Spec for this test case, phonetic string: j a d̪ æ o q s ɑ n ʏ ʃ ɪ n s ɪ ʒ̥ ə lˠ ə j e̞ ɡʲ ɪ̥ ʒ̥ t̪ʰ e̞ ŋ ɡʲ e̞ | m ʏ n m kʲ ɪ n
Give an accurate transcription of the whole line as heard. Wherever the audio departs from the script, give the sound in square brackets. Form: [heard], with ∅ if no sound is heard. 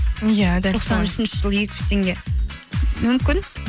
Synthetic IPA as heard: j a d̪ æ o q s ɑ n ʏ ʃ ɪ n [ʃ] ɪ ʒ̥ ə lˠ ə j e̞ [kʲ] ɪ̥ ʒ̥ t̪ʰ e̞ ŋ ɡʲ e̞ | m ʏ [∅] m kʲ ɪ n